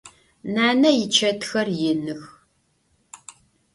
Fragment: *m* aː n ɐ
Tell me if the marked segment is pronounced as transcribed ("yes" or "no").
no